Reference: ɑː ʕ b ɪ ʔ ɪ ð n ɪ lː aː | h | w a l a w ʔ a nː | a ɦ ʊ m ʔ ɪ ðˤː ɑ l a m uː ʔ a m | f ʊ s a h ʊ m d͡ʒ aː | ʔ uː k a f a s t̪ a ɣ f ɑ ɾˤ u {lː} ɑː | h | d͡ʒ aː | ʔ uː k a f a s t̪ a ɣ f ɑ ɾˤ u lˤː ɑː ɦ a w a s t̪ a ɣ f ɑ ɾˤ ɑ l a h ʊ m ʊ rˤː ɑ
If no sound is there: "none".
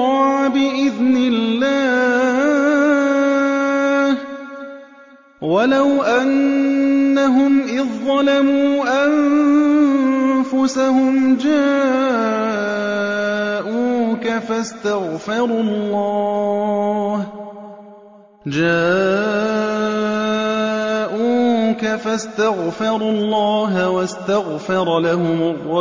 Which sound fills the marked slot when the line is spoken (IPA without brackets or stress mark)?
lː